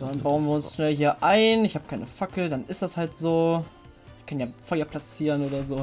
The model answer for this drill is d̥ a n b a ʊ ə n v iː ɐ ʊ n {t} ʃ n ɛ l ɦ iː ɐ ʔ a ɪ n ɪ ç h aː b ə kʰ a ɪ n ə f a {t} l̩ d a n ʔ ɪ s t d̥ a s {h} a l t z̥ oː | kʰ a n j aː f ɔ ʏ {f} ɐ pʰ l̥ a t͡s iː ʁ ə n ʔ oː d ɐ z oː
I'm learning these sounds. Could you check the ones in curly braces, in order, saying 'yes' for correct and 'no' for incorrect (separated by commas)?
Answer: no, no, yes, no